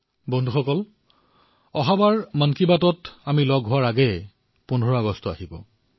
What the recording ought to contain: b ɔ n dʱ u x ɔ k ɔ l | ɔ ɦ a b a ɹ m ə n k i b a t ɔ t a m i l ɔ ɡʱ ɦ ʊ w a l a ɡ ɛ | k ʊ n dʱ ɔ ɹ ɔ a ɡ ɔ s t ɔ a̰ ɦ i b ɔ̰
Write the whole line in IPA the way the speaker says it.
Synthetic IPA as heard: b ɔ n dʱ u x ɔ k ɔ l | ɔ ɦ a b a ɹ m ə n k i b a t ɔ t a m i l ɔ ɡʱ ɦ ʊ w a ɹ a ɡ ɛ | p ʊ n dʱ ɔ ɹ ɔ a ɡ ɔ s t ɔ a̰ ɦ i b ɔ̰